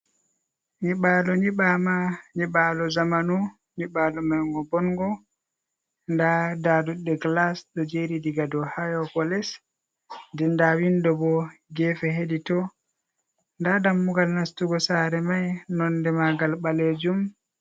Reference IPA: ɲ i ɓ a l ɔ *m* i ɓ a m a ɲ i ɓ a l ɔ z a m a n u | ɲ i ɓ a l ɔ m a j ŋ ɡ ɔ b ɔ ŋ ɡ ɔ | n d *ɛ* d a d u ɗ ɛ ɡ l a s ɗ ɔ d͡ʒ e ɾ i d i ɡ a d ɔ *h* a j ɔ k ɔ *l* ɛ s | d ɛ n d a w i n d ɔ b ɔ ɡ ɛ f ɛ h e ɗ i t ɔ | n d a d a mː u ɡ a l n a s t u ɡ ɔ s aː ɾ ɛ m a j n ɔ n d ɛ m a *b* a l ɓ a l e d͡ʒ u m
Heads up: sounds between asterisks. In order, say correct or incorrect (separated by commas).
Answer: incorrect, incorrect, correct, correct, incorrect